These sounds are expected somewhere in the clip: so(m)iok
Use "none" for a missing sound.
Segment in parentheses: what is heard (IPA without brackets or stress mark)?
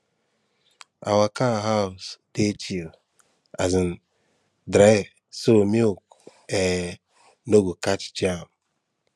m